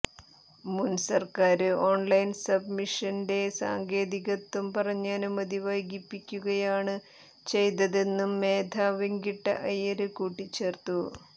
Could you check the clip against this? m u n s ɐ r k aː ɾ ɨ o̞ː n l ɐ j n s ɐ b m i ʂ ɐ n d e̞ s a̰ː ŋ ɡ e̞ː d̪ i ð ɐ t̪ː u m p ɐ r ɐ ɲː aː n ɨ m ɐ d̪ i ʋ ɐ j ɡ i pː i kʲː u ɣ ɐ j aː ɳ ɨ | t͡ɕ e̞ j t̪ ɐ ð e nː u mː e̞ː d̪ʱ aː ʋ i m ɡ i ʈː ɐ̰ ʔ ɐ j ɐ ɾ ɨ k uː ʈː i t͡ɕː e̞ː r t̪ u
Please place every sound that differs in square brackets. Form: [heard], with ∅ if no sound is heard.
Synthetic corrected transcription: m u n s ɐ r k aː ɾ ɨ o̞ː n l ɐ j n s ɐ b m i ʂ ɐ n d e̞ s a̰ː ŋ ɡ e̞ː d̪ i [ɣ] ɐ t̪ː u m p ɐ r ɐ ɲː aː n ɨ m ɐ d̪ i ʋ ɐ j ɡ i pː i kʲː u ɣ ɐ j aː ɳ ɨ | t͡ɕ e̞ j t̪ ɐ ð e nː u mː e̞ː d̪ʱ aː ʋ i [ŋ] ɡ i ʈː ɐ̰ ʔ ɐ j ɐ ɾ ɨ k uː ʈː i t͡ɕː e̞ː r t̪ u

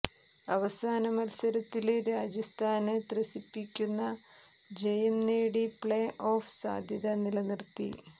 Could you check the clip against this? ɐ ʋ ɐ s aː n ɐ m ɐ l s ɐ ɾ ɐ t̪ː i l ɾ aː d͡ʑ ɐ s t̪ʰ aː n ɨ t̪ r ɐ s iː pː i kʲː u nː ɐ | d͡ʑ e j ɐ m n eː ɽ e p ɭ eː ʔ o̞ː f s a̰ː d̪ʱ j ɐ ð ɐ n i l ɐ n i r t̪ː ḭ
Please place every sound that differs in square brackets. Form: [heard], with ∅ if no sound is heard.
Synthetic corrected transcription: ɐ ʋ ɐ s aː n ɐ m ɐ l s ɐ ɾ ɐ t̪ː i l ɾ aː d͡ʑ ɐ s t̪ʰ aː n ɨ t̪ r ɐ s [i] pː i kʲː u nː ɐ | d͡ʑ e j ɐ m n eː ɽ [i] p ɭ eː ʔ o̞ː f s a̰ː d̪ʱ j ɐ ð ɐ n i l ɐ n i r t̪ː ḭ

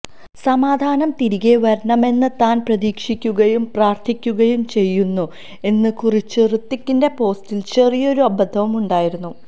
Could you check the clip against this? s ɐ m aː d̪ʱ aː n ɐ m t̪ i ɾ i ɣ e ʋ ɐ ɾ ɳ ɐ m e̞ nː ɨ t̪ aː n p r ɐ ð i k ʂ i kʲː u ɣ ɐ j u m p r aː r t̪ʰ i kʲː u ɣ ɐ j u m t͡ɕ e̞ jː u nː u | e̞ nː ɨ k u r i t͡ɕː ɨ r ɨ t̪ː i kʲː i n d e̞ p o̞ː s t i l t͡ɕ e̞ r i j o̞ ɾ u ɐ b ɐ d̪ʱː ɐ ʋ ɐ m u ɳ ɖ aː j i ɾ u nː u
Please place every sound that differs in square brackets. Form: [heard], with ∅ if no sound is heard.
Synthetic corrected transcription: s ɐ m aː d̪ʱ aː n ɐ m t̪ i ɾ i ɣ e ʋ ɐ ɾ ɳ ɐ m e̞ nː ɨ t̪ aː n p r ɐ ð [iː] k ʂ i kʲː u ɣ ɐ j u m p r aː r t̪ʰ i kʲː u ɣ ɐ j u m t͡ɕ e̞ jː u nː u | e̞ nː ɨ k u r i t͡ɕː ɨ r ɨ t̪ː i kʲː i n d e̞ p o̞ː s t i l t͡ɕ e̞ r i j o̞ ɾ u ɐ b ɐ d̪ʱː ɐ ʋ ɐ m u ɳ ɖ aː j i ɾ u nː u

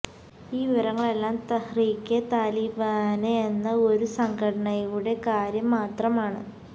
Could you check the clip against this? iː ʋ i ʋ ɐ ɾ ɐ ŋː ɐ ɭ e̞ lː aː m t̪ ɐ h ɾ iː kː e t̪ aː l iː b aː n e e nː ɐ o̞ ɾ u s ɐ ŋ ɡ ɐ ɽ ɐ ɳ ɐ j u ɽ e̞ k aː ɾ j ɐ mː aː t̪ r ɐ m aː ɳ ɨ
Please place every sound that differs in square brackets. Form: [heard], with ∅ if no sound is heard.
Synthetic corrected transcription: iː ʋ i ʋ ɐ ɾ ɐ ŋː ɐ ɭ e̞ lː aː m t̪ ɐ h [r] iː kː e t̪ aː l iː b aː n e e nː ɐ o̞ ɾ u s ɐ ŋ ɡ ɐ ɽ ɐ ɳ ɐ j u ɽ e̞ k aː ɾ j ɐ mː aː t̪ r ɐ m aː ɳ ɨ

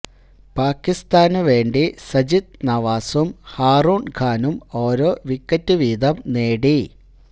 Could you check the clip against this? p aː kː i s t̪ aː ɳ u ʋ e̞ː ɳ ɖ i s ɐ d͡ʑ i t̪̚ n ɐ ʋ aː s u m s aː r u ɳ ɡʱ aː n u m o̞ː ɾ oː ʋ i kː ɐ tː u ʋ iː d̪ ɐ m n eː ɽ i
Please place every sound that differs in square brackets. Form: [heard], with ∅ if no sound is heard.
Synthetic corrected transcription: p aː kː i s t̪ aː [n] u ʋ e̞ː ɳ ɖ i s ɐ d͡ʑ i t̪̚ n ɐ ʋ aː s u m [h] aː r [uː] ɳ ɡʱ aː n u m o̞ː ɾ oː ʋ i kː ɐ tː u ʋ iː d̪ ɐ m n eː ɽ i

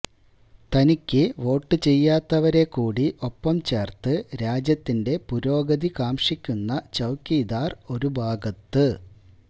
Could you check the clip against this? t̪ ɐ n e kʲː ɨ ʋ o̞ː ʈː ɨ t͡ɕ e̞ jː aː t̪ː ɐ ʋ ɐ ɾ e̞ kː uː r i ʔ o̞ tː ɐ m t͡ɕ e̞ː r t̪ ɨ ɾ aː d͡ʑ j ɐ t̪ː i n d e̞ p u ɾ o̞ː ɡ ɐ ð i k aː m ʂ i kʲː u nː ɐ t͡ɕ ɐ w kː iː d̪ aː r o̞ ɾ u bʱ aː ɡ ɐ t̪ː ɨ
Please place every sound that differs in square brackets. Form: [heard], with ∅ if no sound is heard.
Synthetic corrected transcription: t̪ ɐ n [i] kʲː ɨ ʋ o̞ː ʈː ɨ t͡ɕ e̞ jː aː t̪ː ɐ ʋ ɐ ɾ e̞ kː uː [ɽ] i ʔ o̞ [pː] ɐ m t͡ɕ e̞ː r t̪ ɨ ɾ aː d͡ʑ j ɐ t̪ː i n d e̞ p u ɾ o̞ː ɡ ɐ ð i k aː m ʂ i kʲː u nː ɐ t͡ɕ ɐ w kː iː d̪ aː r o̞ ɾ u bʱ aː ɡ ɐ t̪ː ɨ

